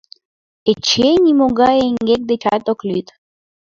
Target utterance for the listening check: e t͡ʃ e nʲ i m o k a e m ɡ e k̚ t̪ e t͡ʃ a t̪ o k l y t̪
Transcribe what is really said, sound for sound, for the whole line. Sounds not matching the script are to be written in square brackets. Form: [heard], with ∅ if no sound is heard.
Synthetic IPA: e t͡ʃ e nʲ i m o [ɡ] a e [ŋ] ɡ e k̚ [d̪] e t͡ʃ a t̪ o k l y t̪